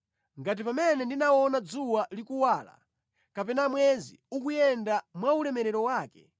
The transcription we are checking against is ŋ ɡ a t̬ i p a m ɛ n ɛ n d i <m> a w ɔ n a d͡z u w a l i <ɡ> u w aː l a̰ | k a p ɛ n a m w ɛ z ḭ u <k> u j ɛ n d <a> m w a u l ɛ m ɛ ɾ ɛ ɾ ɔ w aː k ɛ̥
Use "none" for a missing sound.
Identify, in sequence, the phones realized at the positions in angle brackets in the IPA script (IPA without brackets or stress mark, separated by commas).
n, k, k, a